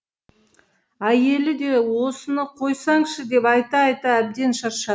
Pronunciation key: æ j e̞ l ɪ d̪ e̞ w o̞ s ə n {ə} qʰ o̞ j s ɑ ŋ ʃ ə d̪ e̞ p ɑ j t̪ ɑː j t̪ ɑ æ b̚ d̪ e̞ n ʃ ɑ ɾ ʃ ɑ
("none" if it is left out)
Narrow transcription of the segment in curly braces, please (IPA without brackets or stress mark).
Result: ə